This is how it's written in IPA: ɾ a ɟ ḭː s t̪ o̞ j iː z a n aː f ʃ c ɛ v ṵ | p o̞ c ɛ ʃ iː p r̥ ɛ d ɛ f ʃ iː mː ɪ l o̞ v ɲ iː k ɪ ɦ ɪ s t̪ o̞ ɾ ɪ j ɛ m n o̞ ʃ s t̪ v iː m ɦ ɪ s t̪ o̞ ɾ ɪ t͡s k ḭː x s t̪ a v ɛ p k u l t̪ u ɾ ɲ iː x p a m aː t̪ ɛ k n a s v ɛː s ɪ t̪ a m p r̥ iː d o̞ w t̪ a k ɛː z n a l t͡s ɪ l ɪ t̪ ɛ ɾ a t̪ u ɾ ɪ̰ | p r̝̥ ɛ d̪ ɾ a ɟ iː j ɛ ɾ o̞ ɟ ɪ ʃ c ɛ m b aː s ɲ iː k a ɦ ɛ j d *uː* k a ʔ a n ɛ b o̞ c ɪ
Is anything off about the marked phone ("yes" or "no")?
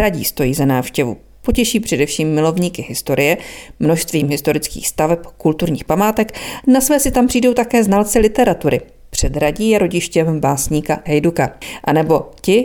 yes